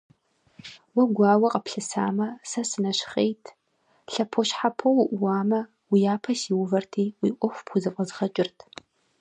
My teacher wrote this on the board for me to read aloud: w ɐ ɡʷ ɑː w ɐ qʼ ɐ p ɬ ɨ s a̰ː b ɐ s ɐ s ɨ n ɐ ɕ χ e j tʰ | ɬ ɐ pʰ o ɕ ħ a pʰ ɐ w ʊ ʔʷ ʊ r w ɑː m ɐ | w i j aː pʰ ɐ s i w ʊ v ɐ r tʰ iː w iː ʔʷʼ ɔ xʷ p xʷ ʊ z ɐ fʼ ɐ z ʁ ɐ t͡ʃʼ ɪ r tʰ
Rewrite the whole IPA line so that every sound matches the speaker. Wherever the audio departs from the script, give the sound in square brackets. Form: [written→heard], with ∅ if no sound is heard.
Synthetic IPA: w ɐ ɡʷ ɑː w ɐ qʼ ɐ p ɬ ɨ s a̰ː [b→m] ɐ s ɐ s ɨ n ɐ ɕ χ e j tʰ | ɬ ɐ pʰ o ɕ ħ a pʰ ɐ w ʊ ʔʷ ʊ [r→∅] w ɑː m ɐ | w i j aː pʰ ɐ s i w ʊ v ɐ r tʰ iː w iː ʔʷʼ ɔ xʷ p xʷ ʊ z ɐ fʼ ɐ z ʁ ɐ t͡ʃʼ ɪ r tʰ

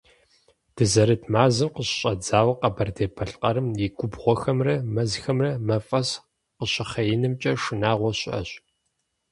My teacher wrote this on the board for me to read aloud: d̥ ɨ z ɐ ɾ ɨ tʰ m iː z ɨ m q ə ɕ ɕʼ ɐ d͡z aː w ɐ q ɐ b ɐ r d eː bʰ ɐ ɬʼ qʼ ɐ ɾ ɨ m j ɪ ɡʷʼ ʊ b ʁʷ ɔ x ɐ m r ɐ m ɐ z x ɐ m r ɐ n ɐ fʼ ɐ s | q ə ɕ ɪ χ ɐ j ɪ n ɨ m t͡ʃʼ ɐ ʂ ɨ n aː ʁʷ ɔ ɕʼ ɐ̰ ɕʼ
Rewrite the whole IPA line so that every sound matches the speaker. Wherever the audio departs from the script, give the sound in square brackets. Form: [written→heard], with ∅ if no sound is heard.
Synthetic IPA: d̥ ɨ z ɐ ɾ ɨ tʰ m [iː→aː] z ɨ m q ə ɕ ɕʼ ɐ d͡z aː w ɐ q ɐ b ɐ r d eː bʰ ɐ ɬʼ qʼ ɐ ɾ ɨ m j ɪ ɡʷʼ ʊ b ʁʷ ɔ x ɐ m r ɐ m ɐ z x ɐ m r ɐ [n→m] ɐ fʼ ɐ s | q ə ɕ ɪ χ ɐ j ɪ n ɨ m t͡ʃʼ ɐ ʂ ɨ n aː ʁʷ ɔ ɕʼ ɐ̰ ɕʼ

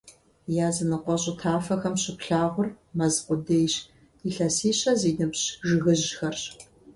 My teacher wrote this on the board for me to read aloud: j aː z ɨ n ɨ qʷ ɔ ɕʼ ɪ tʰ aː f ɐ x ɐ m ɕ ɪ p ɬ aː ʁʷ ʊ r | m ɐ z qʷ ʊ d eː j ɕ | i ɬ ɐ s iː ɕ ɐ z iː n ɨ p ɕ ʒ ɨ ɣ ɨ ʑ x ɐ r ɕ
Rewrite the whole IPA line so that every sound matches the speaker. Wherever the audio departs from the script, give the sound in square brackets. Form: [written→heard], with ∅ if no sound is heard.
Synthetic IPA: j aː z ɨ n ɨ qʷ ɔ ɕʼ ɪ tʰ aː f ɐ x ɐ m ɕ ɪ p ɬ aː ʁʷ ʊ r | m ɐ z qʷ ʊ d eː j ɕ | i ɬ ɐ s iː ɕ ɐ z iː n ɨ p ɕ ʒ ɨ ɣ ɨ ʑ x ɐ r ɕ

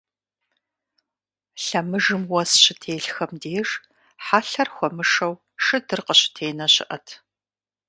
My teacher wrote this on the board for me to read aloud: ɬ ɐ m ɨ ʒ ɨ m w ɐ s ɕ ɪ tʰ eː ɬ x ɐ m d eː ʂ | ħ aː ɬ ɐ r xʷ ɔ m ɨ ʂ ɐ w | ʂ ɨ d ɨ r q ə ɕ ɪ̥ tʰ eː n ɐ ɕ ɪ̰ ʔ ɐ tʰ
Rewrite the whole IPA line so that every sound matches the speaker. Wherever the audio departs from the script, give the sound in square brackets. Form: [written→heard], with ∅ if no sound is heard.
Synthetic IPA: ɬ ɐ m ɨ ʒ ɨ m w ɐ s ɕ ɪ tʰ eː ɬ x ɐ m d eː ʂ | ħ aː ɬ ɐ r xʷ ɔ m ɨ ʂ ɐ w | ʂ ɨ d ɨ r q ə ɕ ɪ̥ tʰ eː n ɐ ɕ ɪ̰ ʔ ɐ tʰ

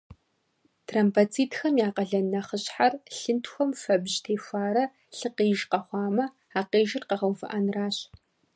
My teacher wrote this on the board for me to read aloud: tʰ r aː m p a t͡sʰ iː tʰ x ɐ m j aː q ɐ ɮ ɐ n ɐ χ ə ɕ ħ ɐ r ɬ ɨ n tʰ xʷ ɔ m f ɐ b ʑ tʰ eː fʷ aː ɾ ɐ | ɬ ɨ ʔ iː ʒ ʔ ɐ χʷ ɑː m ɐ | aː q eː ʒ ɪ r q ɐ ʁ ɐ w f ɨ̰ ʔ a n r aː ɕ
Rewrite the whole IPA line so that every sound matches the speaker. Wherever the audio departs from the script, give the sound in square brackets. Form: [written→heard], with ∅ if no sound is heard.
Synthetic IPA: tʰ r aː m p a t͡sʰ iː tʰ x ɐ m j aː q ɐ ɮ ɐ n ɐ χ ə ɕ ħ [ɐ→a] r ɬ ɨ n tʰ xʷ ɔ m f ɐ b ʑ tʰ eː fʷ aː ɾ ɐ | ɬ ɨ [ʔ→q] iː ʒ [ʔ→q] ɐ χʷ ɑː m ɐ | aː q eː ʒ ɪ r q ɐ ʁ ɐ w f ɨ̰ ʔ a n r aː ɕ

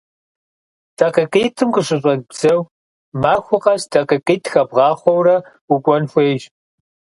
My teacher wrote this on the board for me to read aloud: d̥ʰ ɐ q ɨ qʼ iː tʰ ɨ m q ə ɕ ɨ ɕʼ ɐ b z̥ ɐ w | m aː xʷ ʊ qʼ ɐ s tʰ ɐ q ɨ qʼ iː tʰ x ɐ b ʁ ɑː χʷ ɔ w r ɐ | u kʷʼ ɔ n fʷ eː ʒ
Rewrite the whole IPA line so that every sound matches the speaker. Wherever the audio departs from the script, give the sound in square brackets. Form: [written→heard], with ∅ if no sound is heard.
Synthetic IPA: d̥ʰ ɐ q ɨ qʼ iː tʰ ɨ m q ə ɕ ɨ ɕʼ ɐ b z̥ ɐ w | m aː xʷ ʊ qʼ ɐ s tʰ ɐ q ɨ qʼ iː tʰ x ɐ b ʁ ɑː χʷ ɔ w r ɐ | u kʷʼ ɔ n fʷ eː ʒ

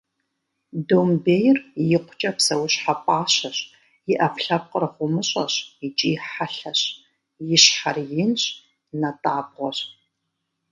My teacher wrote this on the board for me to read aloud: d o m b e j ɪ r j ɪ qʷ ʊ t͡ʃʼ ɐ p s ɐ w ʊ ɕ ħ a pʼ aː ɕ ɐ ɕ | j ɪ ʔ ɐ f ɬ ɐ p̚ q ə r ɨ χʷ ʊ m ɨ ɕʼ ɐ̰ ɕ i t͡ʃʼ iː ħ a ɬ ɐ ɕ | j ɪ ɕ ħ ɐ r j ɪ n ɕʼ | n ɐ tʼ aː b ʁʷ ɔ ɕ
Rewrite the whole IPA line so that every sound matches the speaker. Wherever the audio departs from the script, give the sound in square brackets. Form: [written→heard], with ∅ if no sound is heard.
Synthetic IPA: d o m b e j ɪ r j ɪ qʷ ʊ t͡ʃʼ ɐ p s ɐ w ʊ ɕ ħ a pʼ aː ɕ ɐ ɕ | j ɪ ʔ ɐ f ɬ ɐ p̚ q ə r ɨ χʷ ʊ m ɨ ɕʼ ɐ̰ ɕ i t͡ʃʼ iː ħ a ɬ ɐ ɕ | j ɪ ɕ ħ [ɐ→a] r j ɪ n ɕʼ | n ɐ tʼ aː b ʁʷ ɔ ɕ

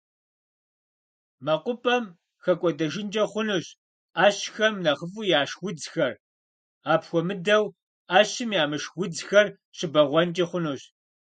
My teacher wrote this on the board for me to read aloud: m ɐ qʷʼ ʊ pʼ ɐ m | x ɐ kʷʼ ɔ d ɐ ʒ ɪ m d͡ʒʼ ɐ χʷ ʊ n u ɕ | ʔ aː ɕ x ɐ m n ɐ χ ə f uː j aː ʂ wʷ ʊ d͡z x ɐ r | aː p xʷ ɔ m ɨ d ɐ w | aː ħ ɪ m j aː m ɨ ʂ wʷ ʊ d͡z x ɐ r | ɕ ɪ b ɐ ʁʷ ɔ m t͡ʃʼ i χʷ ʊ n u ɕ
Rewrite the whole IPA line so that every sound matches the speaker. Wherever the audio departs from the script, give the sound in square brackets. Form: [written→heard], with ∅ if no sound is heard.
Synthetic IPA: m ɐ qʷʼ ʊ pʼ ɐ m | x ɐ kʷʼ ɔ d ɐ ʒ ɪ [m→n] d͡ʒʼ ɐ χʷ ʊ n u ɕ | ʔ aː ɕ x ɐ m n ɐ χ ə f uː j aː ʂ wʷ ʊ d͡z x ɐ r | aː p xʷ ɔ m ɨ d ɐ w | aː [ħ→ɕ] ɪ m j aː m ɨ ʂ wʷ ʊ d͡z x ɐ r | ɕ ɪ b ɐ ʁʷ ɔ [m→n] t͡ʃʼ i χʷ ʊ n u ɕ

